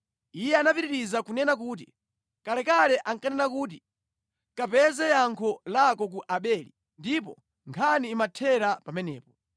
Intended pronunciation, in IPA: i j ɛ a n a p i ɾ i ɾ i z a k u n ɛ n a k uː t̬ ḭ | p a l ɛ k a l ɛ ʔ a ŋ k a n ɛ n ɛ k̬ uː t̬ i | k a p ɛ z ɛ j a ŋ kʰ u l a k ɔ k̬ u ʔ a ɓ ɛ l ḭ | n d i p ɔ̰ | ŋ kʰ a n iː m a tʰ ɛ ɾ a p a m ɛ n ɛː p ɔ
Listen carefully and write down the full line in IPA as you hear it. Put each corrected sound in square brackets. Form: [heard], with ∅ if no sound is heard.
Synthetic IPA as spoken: i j ɛ a n a p i ɾ i ɾ i z a k u n ɛ n a k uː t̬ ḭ | [k] a l ɛ k a l ɛ ʔ a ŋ k a n ɛ n [a] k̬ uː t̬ i | k a p ɛ z ɛ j a ŋ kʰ [ɔ] l a k ɔ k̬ u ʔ a ɓ ɛ l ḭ | n d i p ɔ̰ | ŋ kʰ a n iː m a tʰ ɛ ɾ a p a m ɛ n ɛː p ɔ